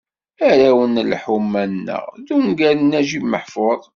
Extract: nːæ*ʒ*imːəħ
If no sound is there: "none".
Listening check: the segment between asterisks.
ʒ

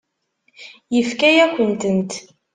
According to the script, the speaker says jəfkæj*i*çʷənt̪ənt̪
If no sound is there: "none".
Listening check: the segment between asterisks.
æ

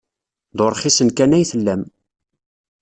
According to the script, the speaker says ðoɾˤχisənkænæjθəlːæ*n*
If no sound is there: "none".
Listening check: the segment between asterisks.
m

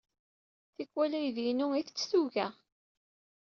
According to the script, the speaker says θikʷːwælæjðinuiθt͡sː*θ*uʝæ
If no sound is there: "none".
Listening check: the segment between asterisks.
θ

